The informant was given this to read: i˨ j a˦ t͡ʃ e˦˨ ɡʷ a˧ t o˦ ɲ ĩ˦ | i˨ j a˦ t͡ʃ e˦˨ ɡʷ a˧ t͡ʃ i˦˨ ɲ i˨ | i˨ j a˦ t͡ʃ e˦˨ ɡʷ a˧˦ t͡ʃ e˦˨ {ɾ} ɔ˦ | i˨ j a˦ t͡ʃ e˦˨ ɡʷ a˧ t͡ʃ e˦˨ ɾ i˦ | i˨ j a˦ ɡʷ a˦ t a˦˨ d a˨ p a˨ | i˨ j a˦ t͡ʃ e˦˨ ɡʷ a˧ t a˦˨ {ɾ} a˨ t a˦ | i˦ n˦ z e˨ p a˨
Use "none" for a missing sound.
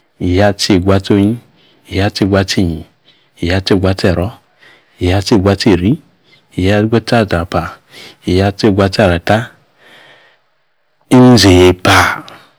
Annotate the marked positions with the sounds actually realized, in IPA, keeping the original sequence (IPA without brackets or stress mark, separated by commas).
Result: ɾ, ɾ